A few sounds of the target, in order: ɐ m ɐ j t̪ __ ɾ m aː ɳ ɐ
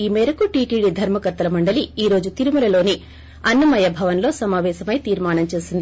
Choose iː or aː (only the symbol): iː